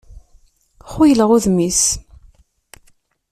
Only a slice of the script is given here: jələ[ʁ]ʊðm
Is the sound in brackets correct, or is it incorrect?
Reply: correct